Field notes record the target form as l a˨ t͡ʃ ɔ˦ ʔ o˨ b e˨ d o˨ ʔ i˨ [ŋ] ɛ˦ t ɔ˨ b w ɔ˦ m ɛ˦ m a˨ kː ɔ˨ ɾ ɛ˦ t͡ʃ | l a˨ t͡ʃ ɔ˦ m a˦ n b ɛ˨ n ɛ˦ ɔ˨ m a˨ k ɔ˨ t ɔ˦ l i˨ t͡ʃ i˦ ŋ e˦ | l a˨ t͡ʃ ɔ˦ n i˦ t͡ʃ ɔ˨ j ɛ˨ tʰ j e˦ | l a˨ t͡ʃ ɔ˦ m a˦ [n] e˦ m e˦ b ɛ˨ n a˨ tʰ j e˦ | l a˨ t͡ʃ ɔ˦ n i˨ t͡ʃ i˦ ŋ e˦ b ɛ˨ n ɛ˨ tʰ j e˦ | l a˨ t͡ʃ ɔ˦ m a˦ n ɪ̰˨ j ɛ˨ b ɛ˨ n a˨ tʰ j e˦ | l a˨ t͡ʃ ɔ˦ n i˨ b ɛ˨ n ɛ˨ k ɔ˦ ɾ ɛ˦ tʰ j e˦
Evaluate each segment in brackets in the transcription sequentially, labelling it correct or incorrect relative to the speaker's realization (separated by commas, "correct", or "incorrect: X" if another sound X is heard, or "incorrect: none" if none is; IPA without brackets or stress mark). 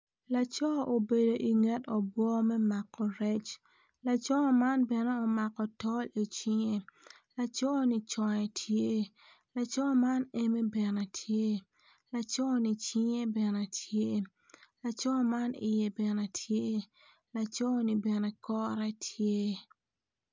correct, correct